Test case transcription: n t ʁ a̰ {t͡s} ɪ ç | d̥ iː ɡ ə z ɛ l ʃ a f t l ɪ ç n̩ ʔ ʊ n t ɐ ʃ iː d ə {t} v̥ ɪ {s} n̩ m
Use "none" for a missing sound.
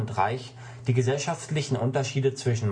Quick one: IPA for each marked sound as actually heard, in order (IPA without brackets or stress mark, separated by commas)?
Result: none, t͡s, ʃ